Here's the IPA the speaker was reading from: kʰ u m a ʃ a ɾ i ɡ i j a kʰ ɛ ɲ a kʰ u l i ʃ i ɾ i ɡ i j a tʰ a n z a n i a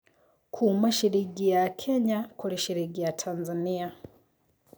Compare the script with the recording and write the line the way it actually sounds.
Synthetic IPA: kʰ u m a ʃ i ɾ i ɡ i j a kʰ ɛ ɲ a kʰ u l i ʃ i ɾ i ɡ i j a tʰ a n z a n i a

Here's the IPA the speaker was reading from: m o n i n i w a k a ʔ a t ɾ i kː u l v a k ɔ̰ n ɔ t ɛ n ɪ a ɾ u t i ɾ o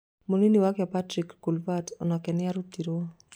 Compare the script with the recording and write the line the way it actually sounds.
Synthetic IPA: m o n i n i w a k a p a t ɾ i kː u l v a t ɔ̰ n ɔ k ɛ n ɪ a ɾ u t i ɾ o

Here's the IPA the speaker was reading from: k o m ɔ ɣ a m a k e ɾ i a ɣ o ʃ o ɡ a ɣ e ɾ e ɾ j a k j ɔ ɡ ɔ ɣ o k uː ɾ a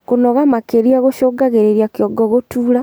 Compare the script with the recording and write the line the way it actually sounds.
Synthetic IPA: k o n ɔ ɣ a m a k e ɾ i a ɣ o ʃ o ɡ a ɣ e ɾ e ɾ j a k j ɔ ɡ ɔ ɣ o t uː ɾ a

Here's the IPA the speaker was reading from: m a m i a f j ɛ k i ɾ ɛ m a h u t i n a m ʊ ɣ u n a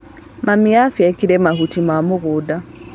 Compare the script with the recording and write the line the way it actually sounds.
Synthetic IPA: m a m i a f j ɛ k i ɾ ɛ m a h u t i m a m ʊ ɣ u d a

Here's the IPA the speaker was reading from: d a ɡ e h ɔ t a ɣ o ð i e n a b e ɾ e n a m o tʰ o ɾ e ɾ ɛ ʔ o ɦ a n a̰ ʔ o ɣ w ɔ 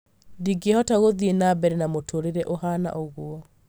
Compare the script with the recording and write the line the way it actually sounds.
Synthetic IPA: d i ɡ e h ɔ t a ɣ o ð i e n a b ɛ ɾ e n a m o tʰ o ɾ e ɾ ɛ ʔ o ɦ a n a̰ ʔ o ɣ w ɔ

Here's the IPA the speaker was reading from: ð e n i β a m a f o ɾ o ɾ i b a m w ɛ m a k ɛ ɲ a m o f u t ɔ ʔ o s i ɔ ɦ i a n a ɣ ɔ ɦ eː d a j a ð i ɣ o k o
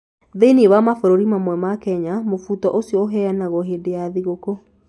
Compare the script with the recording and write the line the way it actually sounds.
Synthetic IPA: ð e n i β a m a f o ɾ o ɾ i m a m w ɛ m a k ɛ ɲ a m o f u t ɔ ʔ o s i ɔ ɦ ɛ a n a ɣ ɔ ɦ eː d e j a ð i ɣ o k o

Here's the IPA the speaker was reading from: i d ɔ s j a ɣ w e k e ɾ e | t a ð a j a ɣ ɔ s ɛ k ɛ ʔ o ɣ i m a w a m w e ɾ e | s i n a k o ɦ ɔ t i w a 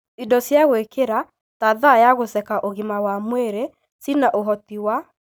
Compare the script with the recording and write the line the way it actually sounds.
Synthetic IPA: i d ɔ s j a ɣ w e k e ɾ a | t a ð a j a ɣ o s ɛ k a ʔ o ɣ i m a w a m w e ɾ e | s i n a ʔ o ɦ ɔ t i w a

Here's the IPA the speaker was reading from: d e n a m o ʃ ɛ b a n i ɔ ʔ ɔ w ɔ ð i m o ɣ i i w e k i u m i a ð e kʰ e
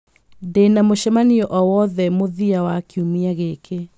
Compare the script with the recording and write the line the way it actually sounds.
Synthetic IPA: d e n a m o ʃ ɛ m a n i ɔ ʔ ɔ w ɔ ð ɛ m o ð i a w a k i u m i a ɣ e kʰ e

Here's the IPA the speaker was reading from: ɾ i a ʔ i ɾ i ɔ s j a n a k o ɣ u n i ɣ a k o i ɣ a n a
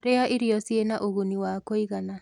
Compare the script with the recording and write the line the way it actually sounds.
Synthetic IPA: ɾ e a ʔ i ɾ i ɔ s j e n a ʔ o ɣ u n i w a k o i ɣ a n a

